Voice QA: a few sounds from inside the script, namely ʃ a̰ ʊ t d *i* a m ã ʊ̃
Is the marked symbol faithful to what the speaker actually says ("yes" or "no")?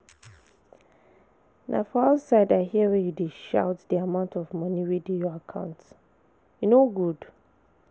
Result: yes